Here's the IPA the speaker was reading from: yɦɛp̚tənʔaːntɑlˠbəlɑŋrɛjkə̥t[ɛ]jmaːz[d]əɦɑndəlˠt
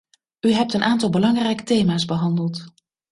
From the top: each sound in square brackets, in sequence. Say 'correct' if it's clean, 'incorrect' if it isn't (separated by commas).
incorrect, incorrect